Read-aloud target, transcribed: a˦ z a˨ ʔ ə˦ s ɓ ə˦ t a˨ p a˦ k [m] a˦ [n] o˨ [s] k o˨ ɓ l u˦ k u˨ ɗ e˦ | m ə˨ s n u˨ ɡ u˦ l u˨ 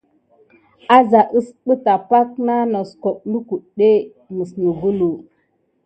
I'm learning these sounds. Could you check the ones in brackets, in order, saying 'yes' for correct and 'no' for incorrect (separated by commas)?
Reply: no, yes, yes